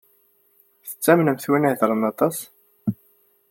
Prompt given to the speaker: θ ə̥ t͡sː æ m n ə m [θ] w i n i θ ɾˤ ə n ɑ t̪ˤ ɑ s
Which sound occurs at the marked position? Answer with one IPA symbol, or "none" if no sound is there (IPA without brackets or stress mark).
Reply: θ